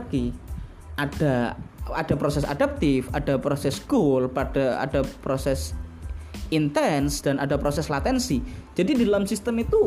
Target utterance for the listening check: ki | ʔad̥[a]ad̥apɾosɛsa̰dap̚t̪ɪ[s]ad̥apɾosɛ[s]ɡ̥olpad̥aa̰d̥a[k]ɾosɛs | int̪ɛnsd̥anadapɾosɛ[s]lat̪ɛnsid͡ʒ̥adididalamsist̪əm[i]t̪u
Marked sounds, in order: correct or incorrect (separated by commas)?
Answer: correct, incorrect, correct, incorrect, correct, correct